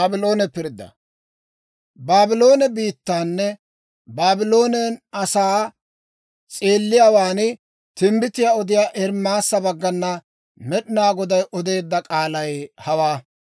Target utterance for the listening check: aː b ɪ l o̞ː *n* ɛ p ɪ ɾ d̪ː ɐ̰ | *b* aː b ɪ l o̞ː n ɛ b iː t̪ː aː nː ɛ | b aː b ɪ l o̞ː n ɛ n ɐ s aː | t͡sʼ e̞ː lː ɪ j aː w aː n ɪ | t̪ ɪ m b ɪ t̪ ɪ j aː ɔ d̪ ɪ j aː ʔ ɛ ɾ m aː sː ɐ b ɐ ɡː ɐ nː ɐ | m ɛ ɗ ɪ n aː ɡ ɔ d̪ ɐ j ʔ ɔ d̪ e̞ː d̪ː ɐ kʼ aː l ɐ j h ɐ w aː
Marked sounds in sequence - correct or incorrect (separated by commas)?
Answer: correct, correct